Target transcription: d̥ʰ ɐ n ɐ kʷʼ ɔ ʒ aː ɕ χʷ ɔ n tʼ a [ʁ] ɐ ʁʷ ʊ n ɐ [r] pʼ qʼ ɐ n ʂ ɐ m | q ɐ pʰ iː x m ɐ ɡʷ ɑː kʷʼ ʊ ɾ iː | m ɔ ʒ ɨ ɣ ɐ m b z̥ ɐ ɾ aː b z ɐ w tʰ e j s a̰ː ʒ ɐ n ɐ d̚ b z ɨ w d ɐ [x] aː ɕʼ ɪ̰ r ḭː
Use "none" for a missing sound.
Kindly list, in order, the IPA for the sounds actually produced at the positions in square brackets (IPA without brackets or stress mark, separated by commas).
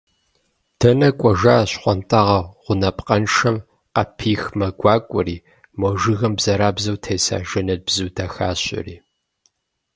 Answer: ʁ, none, x